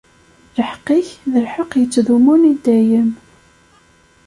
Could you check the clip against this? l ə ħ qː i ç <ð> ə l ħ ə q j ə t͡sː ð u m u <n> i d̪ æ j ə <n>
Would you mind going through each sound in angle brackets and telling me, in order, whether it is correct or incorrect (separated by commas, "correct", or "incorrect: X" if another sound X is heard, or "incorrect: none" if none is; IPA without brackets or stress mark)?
correct, correct, incorrect: m